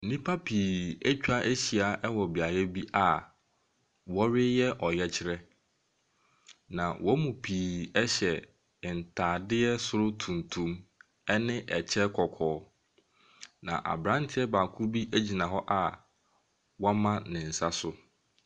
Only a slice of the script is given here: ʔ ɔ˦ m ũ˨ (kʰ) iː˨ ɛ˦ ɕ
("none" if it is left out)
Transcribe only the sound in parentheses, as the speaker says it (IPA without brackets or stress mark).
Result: pʰ